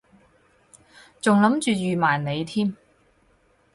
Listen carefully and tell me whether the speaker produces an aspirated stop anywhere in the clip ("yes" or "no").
yes